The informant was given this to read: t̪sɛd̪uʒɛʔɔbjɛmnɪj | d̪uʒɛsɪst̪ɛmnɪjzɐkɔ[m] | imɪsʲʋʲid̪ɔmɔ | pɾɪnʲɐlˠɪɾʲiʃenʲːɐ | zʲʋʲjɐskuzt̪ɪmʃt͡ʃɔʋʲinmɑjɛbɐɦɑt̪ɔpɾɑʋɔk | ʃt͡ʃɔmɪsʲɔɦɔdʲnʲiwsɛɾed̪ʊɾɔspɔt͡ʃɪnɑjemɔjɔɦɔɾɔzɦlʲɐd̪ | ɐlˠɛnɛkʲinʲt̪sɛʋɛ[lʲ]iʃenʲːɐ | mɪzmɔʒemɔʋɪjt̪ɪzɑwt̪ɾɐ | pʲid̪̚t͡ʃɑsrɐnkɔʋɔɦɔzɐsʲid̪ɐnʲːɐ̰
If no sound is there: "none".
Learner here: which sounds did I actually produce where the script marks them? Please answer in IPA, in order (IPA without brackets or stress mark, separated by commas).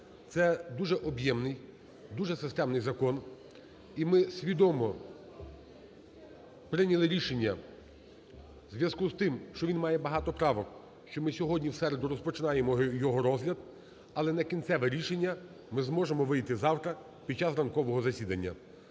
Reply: n, ɾʲ